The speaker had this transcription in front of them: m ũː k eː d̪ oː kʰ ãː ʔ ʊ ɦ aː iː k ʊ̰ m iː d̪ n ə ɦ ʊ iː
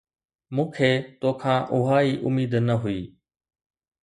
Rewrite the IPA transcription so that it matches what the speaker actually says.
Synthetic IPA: m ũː kʰ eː t̪ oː kʰ ãː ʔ ʊ ɦ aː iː ʔ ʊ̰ m iː d̪ n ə ɦ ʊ iː

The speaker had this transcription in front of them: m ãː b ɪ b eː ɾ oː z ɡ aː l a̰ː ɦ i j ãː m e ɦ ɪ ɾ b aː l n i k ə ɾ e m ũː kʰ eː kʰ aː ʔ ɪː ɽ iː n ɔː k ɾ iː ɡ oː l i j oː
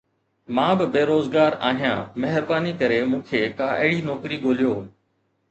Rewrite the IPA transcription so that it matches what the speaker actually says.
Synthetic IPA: m ãː b ɪ b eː ɾ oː z ɡ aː ɾ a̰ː ɦ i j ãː m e ɦ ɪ ɾ b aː n i k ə ɾ e m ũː kʰ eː k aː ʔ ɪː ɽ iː n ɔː k ɾ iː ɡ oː l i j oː

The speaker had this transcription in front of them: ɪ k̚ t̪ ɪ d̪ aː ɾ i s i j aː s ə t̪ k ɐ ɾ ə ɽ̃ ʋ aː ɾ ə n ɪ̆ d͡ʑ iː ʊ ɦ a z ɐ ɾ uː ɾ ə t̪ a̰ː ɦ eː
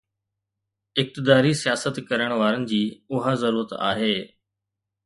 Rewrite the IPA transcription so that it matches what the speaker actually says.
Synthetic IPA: ɪ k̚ t̪ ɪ d̪ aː ɾ i s i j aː s ə t̪ k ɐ ɾ ə ɽ̃ ʋ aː ɾ ə n ɪ̆ d͡ʑ iː ʊ ɦ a z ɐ ɾ uː ɾ ə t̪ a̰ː ɦ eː

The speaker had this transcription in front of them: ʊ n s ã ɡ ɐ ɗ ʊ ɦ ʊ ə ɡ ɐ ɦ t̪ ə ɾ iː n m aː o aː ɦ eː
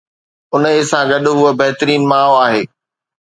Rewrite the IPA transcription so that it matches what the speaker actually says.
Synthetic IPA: ʊ n s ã ɡ ɐ ɗ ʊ ɦ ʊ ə b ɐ ɦ t̪ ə ɾ iː n m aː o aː ɦ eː

